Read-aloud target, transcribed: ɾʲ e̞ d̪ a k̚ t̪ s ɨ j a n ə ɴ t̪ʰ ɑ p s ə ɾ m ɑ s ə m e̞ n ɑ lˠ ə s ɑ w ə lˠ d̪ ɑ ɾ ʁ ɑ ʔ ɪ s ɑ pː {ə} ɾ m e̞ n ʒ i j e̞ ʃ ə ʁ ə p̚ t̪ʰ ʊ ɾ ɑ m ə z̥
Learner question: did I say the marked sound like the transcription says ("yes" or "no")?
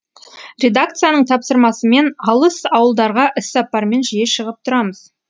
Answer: no